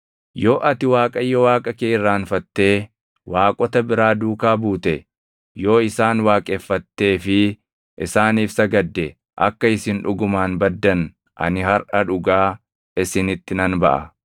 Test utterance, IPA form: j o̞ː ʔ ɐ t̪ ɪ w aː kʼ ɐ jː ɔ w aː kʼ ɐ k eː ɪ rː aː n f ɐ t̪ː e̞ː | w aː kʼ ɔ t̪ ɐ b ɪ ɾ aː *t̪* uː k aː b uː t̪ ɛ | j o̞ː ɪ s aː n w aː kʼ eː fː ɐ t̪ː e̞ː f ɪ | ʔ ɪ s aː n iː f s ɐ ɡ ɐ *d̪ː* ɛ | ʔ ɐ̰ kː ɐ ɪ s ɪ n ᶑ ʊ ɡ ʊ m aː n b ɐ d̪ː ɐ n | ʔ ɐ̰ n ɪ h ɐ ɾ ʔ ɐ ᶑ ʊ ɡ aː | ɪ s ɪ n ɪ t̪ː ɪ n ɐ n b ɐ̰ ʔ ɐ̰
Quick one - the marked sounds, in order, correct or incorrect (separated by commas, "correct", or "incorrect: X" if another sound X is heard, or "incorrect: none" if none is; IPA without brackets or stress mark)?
incorrect: d̪, correct